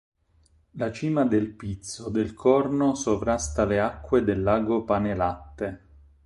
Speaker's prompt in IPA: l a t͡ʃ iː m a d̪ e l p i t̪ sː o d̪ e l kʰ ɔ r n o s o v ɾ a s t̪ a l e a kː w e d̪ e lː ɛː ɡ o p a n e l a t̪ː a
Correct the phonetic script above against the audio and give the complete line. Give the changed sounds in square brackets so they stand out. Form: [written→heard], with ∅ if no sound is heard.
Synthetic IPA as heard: l a t͡ʃ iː m a d̪ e l p i t̪ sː o d̪ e l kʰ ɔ r n o s o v ɾ a s t̪ a l e a kː w e d̪ e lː [ɛː→aː] ɡ o p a n e l a t̪ː [a→e]